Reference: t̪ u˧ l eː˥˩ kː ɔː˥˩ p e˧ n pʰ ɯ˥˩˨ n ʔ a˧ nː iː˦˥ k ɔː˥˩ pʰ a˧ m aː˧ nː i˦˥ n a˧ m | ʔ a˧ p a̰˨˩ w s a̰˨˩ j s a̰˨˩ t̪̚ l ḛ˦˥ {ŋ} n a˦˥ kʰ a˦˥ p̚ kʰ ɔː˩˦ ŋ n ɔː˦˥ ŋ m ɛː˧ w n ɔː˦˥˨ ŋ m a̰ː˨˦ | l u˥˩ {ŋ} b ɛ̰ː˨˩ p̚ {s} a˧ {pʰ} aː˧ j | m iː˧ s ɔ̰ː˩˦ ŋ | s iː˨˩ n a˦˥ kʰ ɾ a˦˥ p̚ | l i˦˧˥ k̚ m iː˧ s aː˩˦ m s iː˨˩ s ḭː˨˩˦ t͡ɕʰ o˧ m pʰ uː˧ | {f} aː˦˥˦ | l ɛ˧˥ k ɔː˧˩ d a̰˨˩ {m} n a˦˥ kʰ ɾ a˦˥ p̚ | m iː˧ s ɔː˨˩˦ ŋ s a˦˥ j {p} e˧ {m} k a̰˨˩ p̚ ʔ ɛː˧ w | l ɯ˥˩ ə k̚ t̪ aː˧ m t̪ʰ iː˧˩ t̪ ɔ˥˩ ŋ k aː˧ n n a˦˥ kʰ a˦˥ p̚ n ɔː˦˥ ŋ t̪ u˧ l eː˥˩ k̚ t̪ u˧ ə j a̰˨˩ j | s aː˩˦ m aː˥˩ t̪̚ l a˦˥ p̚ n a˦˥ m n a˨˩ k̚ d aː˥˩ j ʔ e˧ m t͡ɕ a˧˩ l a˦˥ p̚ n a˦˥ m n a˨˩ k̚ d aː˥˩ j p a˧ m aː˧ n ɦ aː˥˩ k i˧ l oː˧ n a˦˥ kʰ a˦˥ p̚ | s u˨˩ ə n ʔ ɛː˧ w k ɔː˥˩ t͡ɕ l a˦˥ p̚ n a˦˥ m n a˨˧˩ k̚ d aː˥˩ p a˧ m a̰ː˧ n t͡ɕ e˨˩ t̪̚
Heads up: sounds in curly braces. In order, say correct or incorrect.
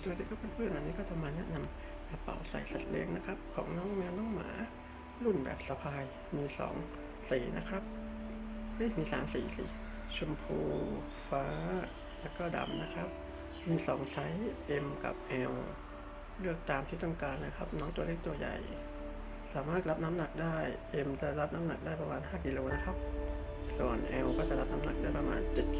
correct, incorrect, correct, correct, correct, correct, incorrect, correct

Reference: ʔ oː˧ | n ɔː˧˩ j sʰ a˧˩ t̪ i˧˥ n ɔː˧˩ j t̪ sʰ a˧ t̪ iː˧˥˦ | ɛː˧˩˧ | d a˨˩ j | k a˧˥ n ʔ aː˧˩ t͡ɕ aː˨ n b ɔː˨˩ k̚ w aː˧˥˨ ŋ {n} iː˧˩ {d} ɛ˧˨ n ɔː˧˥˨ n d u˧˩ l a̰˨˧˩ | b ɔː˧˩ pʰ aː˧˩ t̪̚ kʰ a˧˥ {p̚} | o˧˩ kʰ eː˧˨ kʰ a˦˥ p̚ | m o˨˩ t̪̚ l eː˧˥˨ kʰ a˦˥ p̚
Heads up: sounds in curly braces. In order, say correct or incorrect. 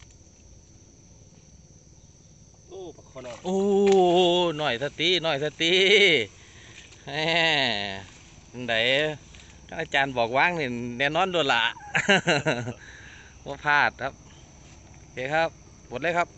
correct, incorrect, correct

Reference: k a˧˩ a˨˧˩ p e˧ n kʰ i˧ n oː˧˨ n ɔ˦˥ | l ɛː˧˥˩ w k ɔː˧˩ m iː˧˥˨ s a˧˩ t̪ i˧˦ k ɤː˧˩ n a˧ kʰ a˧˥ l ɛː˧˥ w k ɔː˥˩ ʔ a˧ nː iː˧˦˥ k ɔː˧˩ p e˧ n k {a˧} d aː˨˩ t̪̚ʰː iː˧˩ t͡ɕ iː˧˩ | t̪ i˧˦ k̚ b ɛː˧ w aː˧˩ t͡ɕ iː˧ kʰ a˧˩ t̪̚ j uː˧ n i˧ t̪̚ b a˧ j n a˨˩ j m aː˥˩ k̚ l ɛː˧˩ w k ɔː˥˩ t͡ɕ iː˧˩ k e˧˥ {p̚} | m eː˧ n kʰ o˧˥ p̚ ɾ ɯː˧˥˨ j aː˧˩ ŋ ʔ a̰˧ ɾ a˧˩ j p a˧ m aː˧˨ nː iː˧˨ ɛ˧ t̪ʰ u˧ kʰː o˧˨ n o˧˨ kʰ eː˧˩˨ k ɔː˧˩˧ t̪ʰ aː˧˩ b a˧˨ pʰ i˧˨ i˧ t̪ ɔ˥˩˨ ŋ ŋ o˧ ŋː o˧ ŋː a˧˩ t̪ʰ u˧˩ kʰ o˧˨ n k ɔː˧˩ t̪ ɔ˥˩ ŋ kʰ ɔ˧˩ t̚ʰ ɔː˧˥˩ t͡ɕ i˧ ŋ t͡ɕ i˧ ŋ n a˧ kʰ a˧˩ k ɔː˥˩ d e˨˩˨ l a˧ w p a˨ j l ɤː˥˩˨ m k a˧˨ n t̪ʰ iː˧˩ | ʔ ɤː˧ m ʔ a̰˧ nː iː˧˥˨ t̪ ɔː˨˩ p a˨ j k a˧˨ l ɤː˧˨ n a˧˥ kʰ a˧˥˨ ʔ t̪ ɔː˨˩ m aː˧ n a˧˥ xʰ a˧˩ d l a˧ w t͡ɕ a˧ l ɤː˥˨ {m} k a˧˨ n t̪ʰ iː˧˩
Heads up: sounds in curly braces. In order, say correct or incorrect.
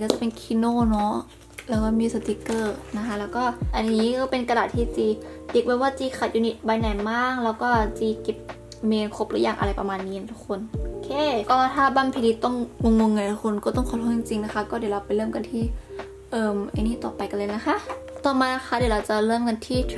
correct, correct, correct

